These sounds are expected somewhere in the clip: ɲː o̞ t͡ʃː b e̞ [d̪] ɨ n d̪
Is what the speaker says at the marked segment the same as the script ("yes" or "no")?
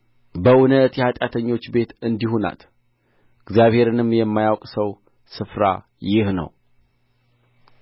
no